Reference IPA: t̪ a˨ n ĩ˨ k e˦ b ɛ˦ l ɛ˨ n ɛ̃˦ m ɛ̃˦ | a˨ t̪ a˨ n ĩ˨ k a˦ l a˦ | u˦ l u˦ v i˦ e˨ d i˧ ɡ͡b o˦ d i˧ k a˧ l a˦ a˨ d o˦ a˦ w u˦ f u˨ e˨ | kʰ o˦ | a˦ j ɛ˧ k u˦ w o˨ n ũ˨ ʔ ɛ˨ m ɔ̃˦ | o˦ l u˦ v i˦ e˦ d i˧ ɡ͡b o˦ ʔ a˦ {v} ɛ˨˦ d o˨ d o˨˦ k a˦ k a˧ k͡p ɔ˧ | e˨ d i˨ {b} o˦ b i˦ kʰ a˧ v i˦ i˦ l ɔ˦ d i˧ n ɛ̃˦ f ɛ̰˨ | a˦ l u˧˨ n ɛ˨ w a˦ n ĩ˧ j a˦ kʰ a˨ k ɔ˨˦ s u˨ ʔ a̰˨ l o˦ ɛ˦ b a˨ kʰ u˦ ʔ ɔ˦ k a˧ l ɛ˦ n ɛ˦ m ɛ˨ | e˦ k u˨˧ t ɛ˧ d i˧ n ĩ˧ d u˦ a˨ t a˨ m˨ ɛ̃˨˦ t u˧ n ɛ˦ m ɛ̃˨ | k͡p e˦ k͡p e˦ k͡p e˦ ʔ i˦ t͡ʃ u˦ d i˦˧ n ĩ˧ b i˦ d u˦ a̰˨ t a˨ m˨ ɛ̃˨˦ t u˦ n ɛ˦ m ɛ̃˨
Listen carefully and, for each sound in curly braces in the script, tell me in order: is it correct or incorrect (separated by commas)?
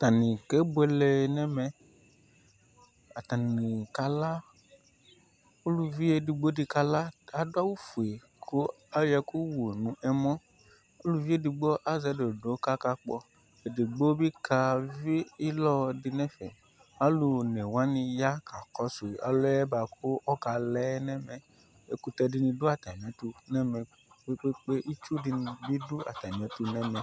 incorrect, incorrect